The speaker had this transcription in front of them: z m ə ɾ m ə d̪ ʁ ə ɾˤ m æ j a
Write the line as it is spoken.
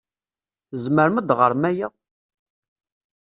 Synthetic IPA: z m ə ɾ m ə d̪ ʁ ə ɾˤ m æ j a